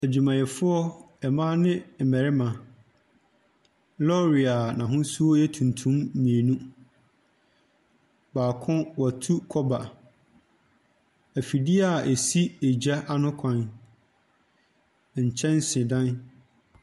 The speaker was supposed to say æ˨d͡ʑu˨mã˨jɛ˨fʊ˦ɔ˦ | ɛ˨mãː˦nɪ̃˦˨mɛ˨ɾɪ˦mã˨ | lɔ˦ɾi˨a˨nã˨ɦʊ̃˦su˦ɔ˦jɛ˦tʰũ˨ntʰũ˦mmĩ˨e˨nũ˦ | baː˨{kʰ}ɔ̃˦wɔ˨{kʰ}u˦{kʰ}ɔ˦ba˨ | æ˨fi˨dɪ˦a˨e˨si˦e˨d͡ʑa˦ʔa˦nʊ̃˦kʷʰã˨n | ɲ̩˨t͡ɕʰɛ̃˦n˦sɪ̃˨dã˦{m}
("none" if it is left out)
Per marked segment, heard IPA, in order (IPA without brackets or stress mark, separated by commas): kʰ, tʰ, kʰ, n